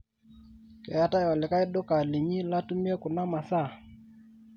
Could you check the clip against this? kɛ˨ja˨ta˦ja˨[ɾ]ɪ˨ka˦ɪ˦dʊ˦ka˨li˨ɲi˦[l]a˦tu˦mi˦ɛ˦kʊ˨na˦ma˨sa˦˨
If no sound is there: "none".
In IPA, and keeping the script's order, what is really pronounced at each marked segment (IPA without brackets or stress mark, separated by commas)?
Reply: l, l